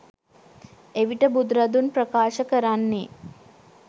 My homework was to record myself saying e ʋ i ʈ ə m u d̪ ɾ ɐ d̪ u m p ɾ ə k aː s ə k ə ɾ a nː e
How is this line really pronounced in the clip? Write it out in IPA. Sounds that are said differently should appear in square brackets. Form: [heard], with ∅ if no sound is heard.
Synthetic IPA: e ʋ i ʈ ə [b] u d̪ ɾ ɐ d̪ u [n] p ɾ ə k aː [ʃ] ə k ə ɾ a nː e